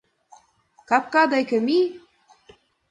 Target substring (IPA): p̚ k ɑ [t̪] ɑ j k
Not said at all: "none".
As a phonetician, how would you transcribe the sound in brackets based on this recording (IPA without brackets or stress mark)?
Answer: d̪